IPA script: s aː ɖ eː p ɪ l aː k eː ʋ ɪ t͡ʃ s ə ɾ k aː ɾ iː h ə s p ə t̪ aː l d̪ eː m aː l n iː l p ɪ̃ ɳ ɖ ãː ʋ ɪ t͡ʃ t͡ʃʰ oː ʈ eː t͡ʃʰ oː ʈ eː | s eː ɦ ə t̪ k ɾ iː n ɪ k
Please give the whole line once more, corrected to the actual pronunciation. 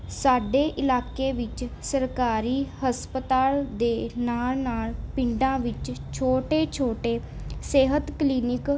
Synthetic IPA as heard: s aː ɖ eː ʔ ɪ l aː k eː ʋ ɪ t͡ʃ s ə ɾ k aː ɾ iː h ə s p ə t̪ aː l d̪ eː n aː l n aː l p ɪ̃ ɳ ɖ ãː ʋ ɪ t͡ʃ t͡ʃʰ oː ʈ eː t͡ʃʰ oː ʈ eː | s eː ɦ ə t̪ k l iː n ɪ k